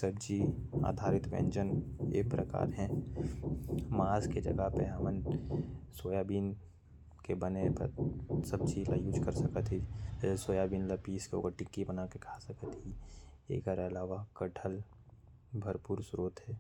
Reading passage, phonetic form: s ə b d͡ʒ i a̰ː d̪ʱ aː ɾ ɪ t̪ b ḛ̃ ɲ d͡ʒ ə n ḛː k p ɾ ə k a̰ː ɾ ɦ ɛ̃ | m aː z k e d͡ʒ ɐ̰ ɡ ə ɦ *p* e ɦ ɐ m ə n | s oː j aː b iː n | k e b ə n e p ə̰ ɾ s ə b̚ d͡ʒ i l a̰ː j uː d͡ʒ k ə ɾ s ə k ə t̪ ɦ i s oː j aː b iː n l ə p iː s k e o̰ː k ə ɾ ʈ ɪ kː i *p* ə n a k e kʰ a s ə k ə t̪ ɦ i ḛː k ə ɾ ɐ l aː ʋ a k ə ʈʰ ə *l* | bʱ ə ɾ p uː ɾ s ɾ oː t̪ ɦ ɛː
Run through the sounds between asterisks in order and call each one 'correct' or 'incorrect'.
correct, incorrect, correct

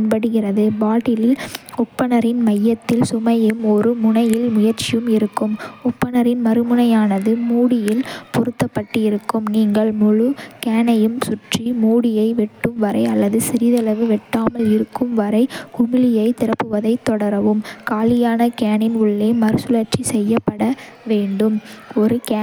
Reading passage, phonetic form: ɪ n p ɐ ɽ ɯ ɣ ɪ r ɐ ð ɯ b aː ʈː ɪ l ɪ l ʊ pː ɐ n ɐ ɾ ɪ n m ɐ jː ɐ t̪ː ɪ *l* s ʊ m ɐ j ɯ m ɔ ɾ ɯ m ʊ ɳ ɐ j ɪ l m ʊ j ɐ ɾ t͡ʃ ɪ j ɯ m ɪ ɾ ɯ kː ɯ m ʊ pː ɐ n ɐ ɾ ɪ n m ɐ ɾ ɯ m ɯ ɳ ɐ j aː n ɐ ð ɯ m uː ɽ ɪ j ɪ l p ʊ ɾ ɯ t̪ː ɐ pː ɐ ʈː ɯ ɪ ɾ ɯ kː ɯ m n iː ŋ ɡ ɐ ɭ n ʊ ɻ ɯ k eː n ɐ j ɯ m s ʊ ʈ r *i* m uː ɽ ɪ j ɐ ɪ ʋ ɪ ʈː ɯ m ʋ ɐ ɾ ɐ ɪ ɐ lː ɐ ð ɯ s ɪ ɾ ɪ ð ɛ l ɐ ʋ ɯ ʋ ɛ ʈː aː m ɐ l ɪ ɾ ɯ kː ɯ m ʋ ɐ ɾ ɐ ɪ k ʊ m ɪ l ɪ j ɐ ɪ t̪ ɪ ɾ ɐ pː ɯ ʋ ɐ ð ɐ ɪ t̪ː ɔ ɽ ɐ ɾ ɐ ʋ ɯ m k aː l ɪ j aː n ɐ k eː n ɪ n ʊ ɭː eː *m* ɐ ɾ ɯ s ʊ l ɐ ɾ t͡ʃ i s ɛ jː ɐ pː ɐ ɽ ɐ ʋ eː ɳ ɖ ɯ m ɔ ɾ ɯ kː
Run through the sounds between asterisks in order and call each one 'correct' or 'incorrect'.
correct, correct, correct

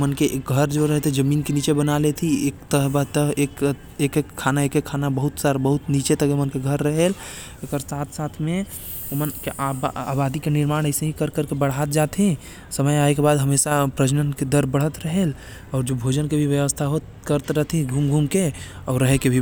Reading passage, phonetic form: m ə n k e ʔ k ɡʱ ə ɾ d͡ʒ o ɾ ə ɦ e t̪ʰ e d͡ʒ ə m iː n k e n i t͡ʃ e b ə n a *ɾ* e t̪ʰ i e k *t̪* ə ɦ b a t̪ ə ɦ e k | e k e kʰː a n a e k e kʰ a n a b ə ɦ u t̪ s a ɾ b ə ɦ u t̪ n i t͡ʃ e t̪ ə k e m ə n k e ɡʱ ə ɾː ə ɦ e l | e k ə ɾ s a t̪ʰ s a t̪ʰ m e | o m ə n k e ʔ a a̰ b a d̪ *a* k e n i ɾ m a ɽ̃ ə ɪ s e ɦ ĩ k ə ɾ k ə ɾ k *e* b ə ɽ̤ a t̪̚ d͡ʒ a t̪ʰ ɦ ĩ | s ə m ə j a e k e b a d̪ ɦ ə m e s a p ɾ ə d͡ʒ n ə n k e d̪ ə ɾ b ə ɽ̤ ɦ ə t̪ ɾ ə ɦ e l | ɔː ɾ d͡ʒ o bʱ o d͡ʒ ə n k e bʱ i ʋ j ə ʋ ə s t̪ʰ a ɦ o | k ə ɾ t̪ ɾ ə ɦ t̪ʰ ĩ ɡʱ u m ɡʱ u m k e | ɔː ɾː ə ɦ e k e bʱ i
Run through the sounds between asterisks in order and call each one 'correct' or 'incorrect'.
incorrect, correct, incorrect, correct

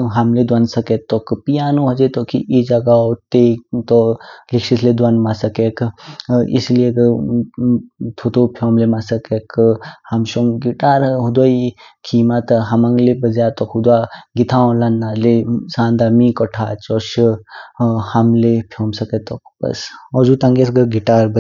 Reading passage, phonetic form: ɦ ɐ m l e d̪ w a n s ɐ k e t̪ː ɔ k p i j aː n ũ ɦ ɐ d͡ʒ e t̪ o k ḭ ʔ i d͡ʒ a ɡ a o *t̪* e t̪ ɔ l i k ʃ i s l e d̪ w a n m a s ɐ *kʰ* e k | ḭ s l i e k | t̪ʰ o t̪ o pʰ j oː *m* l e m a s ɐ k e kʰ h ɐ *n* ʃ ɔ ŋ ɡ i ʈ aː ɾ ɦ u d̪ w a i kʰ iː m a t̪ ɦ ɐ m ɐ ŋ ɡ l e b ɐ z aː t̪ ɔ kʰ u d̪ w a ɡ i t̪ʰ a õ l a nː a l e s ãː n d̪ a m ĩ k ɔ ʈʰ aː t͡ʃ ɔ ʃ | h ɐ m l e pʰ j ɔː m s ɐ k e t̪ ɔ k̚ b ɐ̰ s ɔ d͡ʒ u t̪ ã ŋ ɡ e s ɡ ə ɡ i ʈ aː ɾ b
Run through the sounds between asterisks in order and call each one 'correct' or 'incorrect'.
correct, incorrect, correct, incorrect

